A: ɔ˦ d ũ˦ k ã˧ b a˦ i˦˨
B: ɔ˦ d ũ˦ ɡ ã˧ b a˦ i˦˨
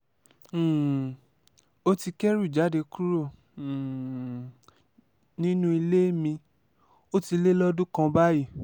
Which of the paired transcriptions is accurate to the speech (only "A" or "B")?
A